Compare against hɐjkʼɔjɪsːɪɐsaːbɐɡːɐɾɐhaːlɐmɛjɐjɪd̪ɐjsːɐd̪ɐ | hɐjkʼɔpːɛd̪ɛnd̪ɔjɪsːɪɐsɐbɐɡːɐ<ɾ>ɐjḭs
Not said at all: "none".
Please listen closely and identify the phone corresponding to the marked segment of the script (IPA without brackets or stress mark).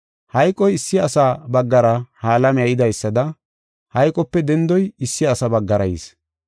ɾ